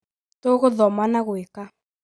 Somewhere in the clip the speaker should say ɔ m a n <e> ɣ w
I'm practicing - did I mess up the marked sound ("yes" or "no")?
yes